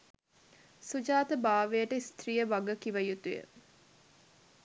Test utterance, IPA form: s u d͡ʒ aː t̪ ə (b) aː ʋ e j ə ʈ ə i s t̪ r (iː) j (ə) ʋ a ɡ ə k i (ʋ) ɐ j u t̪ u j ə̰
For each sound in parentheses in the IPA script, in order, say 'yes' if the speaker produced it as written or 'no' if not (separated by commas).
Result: yes, no, yes, yes